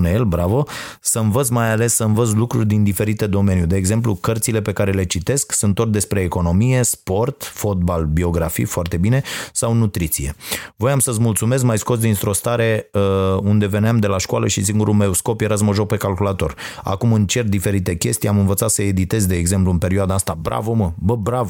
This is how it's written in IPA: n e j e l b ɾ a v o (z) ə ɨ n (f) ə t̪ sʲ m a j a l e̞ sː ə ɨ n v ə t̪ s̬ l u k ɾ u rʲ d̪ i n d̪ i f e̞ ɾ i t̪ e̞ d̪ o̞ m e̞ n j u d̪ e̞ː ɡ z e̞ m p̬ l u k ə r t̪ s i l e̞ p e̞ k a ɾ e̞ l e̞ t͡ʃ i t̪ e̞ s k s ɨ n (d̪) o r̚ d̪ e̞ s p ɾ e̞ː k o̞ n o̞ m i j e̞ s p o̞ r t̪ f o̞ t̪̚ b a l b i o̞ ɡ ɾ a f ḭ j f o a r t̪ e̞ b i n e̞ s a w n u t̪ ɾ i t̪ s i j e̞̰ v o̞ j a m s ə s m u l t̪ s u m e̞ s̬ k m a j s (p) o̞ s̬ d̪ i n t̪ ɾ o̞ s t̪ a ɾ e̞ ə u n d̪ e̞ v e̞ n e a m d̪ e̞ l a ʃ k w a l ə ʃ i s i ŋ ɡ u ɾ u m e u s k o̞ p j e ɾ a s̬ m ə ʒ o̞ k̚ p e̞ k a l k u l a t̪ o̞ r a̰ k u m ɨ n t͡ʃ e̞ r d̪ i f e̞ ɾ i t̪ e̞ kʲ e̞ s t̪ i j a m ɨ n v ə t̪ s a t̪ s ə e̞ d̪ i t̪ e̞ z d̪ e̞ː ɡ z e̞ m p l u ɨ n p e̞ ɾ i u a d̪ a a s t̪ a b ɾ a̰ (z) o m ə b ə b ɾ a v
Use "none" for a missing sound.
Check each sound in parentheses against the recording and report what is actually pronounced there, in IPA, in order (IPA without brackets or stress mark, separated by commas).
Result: s, v, t̪, k, v